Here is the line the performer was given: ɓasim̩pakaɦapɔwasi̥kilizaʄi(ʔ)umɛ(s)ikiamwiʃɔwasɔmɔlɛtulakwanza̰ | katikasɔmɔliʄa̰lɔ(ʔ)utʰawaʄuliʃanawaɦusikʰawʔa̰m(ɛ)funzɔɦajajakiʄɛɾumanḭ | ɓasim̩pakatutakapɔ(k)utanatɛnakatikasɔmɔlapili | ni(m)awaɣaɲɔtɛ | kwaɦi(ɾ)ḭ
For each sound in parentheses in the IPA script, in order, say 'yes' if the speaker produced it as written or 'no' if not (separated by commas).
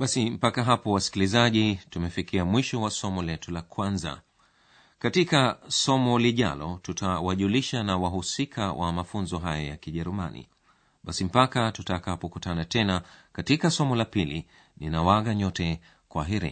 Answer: no, no, no, no, yes, no, yes